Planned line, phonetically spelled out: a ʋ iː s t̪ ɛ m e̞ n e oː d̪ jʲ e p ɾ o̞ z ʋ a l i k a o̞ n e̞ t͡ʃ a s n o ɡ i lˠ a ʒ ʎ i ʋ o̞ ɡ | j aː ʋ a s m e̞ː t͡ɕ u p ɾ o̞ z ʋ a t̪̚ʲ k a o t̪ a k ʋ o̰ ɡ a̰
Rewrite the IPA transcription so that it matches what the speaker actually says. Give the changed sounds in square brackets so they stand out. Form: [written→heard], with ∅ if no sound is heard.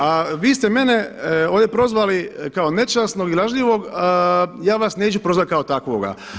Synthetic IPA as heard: a ʋ iː s t̪ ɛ m e̞ n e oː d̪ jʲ e p ɾ o̞ z ʋ a l i k a o̞ n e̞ t͡ʃ a s n o ɡ i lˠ a ʒ ʎ i ʋ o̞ ɡ | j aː ʋ a s [m→n] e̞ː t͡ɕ u p ɾ o̞ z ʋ a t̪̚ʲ k a o t̪ a k ʋ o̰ ɡ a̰